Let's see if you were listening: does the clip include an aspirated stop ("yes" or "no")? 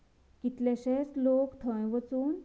yes